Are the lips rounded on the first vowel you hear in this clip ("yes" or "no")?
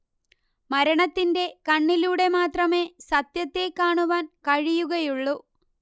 no